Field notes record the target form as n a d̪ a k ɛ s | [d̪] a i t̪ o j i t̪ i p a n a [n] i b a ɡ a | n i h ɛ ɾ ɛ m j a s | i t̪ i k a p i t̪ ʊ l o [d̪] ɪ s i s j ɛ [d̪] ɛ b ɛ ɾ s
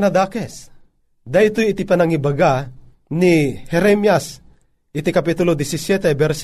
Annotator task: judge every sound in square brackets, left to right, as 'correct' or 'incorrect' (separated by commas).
correct, incorrect, correct, incorrect